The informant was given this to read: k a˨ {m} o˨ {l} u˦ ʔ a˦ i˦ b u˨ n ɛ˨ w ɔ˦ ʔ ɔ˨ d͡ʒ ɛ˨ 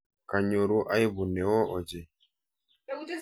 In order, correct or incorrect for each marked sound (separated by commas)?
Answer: incorrect, incorrect